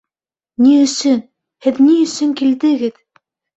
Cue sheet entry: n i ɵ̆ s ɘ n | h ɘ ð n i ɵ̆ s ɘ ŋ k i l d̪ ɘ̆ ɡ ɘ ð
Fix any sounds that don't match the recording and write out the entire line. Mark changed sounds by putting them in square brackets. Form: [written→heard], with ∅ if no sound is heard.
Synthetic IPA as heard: n i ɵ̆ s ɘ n | h ɘ ð n i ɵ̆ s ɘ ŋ k i l d̪ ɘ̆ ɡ ɘ ð